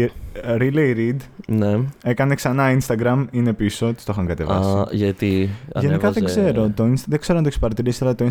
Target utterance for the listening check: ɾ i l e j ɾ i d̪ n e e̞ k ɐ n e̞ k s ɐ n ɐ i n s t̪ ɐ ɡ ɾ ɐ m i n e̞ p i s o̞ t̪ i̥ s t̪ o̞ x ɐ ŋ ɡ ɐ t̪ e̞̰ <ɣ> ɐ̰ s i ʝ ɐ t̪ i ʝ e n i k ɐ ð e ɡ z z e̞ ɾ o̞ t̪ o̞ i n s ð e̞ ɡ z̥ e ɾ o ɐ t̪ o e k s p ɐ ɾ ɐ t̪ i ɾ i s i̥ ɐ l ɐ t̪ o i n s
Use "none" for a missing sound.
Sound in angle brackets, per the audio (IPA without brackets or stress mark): v